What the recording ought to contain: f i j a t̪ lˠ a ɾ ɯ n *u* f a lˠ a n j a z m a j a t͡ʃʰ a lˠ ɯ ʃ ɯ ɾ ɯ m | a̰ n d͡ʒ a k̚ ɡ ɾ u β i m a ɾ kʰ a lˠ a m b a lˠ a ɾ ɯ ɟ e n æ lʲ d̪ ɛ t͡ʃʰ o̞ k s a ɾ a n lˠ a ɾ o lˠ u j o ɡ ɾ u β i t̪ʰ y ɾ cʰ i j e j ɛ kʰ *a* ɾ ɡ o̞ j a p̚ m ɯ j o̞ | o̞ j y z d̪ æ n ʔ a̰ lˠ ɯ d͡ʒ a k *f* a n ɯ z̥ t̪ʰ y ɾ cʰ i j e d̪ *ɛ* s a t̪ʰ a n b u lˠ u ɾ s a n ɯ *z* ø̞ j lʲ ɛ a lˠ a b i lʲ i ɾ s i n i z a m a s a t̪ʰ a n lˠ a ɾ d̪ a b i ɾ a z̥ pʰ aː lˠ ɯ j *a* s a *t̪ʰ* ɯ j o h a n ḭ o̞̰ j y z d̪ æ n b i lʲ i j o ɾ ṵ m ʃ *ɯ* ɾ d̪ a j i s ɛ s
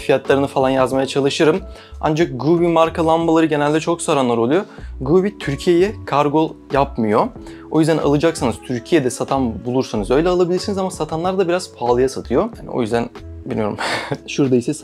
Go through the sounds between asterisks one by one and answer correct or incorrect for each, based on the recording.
incorrect, correct, incorrect, correct, correct, correct, correct, incorrect

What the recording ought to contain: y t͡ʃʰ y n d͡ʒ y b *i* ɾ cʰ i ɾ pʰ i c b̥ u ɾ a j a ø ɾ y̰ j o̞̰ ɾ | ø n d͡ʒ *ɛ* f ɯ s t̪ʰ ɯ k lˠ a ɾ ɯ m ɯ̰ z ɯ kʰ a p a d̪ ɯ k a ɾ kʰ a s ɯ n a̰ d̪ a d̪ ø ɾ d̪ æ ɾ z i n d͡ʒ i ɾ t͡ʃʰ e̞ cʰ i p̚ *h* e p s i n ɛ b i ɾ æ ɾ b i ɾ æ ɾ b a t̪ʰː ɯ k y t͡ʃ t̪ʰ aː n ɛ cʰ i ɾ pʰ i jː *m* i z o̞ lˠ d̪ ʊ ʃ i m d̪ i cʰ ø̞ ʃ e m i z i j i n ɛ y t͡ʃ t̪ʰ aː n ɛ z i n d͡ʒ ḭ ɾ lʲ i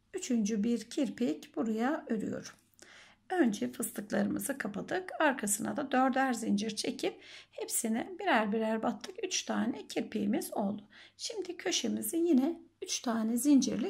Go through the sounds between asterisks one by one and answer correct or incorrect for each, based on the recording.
correct, correct, correct, correct

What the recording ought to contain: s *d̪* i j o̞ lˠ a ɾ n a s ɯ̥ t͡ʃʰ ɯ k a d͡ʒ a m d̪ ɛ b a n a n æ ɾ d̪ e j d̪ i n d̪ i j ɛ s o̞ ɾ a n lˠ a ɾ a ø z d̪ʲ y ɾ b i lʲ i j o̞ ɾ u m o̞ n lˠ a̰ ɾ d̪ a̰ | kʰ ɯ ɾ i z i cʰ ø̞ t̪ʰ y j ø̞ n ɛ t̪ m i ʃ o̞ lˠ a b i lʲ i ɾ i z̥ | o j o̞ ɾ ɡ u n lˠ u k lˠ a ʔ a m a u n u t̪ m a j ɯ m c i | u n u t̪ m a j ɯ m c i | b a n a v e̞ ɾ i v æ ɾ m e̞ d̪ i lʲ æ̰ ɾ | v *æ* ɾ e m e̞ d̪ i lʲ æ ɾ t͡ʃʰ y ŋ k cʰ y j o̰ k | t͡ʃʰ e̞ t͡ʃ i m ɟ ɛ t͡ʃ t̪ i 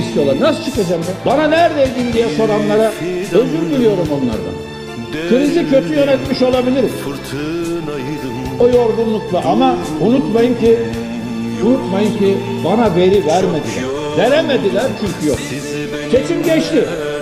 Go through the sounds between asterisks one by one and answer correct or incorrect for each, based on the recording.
incorrect, incorrect

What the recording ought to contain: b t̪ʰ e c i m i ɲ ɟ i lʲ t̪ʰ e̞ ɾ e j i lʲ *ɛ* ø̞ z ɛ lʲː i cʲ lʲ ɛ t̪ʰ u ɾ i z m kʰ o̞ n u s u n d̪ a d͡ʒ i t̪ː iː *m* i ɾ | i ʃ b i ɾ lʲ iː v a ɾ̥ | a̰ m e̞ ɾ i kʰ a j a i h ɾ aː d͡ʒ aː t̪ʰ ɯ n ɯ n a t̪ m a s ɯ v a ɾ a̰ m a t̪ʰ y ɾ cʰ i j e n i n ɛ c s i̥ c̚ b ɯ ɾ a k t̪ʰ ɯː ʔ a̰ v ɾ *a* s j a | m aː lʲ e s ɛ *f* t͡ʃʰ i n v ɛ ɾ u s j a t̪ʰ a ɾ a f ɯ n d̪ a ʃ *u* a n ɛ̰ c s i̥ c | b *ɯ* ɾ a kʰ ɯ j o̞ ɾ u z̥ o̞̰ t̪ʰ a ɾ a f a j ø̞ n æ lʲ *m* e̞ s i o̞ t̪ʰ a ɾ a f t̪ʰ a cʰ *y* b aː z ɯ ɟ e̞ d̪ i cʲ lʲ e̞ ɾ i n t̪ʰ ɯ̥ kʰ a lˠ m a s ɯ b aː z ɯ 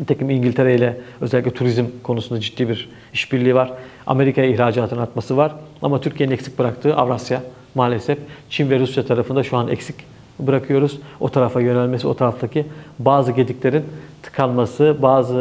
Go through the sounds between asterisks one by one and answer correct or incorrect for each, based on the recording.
correct, incorrect, correct, correct, correct, correct, correct, incorrect

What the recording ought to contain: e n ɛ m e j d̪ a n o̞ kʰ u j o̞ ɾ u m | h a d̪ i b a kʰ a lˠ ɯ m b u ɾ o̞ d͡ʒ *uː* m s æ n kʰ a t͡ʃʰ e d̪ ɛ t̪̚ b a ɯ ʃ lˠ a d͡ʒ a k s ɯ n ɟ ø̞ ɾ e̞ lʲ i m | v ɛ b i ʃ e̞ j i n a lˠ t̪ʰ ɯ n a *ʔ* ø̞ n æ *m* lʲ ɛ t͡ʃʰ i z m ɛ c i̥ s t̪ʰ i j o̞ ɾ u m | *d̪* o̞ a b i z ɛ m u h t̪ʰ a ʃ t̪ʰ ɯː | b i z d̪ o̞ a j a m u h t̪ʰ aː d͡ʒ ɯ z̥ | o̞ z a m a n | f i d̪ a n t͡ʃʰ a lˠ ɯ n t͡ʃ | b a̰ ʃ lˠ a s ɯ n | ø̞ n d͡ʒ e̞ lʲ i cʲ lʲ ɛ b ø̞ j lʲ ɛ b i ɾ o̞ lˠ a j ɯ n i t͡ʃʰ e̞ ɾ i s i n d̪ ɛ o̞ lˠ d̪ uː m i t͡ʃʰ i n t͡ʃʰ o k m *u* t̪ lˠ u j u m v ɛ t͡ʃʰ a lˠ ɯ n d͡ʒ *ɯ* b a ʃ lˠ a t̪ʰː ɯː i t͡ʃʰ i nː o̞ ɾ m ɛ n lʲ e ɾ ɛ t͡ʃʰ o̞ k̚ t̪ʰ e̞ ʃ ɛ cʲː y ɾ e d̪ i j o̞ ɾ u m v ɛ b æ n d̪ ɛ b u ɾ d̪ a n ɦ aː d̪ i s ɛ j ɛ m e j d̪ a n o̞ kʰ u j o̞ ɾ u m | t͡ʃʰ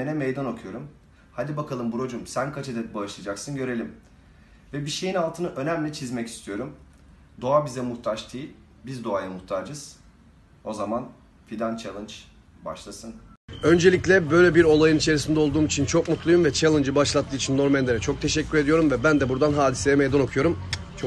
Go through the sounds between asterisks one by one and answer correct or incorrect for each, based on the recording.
incorrect, correct, correct, correct, correct, correct

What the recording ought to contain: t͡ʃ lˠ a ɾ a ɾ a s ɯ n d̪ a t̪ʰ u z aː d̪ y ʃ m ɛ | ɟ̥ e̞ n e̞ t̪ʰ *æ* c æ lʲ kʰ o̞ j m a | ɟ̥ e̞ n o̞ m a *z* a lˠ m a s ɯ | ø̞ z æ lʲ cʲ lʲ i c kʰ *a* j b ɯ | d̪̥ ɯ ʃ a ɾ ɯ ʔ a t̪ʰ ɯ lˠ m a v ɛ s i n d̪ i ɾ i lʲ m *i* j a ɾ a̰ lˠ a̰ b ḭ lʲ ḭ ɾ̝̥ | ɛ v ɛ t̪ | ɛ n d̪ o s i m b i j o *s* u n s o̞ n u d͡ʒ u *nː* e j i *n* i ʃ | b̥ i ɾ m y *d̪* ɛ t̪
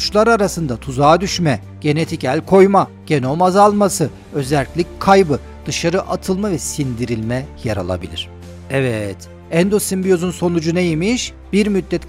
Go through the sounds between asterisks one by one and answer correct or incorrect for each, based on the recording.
incorrect, correct, correct, incorrect, incorrect, incorrect, incorrect, incorrect

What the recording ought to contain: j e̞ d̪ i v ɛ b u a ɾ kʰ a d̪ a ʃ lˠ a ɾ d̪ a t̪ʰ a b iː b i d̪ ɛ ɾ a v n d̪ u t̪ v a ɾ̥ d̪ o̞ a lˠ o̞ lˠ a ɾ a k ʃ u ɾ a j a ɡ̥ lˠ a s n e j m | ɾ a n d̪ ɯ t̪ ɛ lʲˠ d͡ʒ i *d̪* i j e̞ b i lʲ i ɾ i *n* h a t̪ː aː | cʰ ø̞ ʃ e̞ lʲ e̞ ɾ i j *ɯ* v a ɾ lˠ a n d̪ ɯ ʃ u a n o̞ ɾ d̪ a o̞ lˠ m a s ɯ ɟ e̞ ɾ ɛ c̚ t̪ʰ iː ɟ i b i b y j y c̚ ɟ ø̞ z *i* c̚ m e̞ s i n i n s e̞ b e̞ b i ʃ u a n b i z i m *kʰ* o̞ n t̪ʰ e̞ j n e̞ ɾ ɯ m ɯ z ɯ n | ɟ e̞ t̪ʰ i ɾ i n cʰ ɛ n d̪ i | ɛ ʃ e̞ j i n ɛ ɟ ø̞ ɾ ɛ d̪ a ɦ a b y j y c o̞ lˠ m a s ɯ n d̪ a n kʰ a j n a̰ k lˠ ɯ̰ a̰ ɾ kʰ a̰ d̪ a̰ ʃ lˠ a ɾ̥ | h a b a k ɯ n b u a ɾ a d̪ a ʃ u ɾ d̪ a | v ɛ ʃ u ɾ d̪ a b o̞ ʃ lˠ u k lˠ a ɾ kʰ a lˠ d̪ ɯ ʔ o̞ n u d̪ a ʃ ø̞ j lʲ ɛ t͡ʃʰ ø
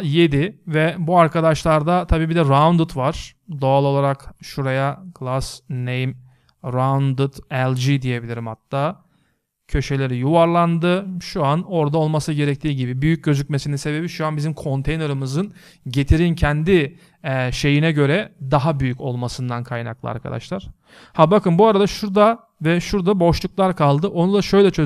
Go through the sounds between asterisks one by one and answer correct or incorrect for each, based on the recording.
correct, incorrect, incorrect, incorrect, correct

